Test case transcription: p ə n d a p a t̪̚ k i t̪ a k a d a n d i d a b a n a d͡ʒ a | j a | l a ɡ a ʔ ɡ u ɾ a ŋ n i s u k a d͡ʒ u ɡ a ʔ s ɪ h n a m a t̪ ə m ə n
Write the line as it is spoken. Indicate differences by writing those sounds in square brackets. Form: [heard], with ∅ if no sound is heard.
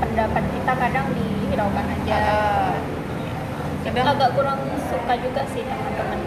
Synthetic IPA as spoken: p ə n d a p a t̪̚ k i t̪ a k a d a [ŋ] d i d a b a n a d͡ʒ a | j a | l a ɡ a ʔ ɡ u ɾ a ŋ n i s u k a d͡ʒ u ɡ a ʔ s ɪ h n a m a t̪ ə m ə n